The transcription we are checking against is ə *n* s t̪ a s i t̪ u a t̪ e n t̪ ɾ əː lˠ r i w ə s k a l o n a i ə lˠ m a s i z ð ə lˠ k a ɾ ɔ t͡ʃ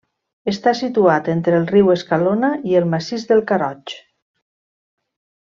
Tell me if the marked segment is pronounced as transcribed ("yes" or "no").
no